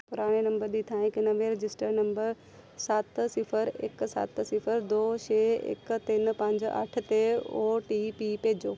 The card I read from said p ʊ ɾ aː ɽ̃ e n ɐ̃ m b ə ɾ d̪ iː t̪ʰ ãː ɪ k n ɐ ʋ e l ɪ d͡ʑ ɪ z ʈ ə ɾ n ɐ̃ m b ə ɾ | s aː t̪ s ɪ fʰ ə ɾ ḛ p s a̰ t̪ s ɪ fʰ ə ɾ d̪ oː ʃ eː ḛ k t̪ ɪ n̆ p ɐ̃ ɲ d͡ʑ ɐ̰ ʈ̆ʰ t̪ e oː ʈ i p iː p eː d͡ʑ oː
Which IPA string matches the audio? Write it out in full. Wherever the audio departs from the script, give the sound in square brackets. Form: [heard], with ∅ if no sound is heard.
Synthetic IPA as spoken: p ʊ ɾ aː ɽ̃ e n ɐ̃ m b ə ɾ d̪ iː t̪ʰ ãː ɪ k n ɐ ʋ e [ɾ] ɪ d͡ʑ ɪ [s] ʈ ə ɾ n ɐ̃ m b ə ɾ | s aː t̪ s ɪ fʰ ə ɾ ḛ [k] s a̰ t̪ s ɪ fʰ ə ɾ d̪ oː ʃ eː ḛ k t̪ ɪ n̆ p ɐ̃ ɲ d͡ʑ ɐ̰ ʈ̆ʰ t̪ e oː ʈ i p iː p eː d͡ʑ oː